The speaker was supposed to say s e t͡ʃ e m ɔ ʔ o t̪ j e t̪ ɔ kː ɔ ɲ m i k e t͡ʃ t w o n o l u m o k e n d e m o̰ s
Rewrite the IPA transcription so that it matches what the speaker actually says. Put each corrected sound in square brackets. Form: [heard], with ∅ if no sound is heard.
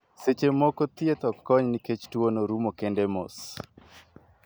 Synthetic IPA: s e t͡ʃ e m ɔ [k] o t̪ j e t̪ ɔ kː ɔ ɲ [n] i k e t͡ʃ t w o n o [ɾ] u m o k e n d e m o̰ s